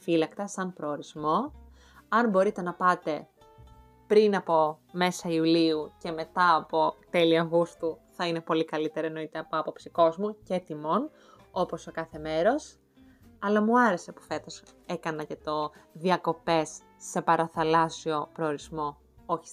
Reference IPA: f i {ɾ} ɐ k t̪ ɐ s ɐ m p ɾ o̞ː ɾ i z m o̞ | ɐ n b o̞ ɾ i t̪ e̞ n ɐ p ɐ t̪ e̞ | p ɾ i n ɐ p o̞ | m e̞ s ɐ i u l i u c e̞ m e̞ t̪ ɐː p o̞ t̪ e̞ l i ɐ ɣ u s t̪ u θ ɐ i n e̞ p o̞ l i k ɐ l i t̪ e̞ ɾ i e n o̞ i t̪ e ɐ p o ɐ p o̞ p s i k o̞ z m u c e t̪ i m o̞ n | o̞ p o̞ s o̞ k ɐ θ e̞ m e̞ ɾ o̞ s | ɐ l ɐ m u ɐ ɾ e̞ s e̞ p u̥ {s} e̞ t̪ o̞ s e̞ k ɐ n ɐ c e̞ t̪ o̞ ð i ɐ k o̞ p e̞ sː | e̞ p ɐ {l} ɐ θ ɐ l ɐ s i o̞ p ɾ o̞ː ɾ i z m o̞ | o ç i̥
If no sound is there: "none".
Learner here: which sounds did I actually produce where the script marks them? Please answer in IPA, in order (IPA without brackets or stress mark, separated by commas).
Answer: l, f, ɾ